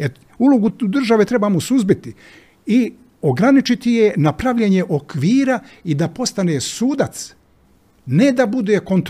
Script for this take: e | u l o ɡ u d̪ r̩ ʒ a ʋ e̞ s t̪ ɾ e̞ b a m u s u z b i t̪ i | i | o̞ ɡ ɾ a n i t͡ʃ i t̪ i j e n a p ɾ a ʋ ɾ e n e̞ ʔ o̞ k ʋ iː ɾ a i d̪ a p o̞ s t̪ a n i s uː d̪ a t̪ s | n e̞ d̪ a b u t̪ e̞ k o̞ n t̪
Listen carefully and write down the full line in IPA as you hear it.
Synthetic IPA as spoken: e | u l o ɡ u d̪ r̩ ʒ a ʋ e̞ t̪ ɾ e̞ b a m o s u z b i t̪ i | i | o̞ ɡ ɾ a n i t͡ʃ i t̪ i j e n a p ɾ a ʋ ʎ e ɲ e̞ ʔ o̞ k ʋ iː ɾ a i d̪ a p o̞ s t̪ a n e s uː d̪ a t̪ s | n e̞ d̪ a b u d̪ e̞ k o̞ n t̪